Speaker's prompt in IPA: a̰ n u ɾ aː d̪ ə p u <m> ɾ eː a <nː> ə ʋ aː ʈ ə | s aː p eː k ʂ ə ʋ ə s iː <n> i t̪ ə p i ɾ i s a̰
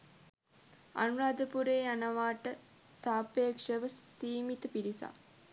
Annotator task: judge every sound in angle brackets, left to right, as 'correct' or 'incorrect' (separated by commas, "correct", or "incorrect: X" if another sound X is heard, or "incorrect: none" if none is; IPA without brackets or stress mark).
incorrect: none, incorrect: n, incorrect: m